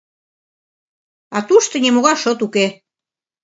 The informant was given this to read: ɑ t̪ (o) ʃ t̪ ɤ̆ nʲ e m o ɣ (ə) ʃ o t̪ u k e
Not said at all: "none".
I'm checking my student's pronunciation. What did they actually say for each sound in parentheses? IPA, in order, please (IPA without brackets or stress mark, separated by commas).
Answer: u, ɑ